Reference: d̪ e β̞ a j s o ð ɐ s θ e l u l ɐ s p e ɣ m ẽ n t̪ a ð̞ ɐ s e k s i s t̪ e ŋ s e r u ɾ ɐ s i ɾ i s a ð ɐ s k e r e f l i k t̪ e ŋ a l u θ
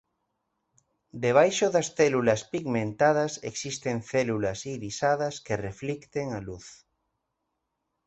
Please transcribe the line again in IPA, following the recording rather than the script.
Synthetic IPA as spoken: d̪ e β̞ a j ʃ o ð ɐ s θ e l u l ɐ s p i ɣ m ẽ n t̪ a ð̞ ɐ s e k s i s t̪ e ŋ θ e l u l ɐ s i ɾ i s a ð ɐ s k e r e f l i k t̪ e ŋ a l u θ